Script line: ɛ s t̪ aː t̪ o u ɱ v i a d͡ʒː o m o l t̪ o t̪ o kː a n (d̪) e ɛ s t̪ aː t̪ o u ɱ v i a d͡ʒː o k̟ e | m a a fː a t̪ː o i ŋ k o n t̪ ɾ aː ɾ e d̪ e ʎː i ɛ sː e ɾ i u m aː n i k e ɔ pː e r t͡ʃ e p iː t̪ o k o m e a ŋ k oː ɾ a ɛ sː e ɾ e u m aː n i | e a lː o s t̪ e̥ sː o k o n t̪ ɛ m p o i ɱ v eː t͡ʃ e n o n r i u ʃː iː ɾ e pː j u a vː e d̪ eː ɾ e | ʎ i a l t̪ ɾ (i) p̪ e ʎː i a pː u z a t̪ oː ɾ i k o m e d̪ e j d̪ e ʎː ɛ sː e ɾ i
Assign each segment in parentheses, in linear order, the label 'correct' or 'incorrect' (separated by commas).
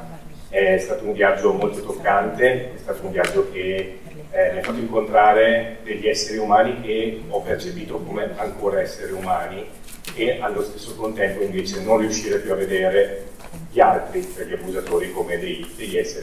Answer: incorrect, correct